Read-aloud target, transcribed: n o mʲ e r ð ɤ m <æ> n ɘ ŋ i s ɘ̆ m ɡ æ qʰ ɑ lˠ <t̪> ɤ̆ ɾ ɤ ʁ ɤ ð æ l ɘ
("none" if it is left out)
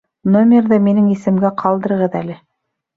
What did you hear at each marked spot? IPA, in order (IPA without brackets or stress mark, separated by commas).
i, d̪